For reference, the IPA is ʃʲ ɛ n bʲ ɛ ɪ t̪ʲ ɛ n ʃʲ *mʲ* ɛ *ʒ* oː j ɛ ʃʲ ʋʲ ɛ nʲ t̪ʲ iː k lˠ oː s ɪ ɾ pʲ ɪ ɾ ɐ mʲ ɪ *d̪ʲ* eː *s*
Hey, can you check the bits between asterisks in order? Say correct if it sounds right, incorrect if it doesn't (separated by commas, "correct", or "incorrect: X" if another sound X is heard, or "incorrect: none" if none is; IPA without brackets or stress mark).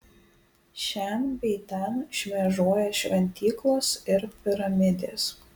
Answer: correct, correct, correct, correct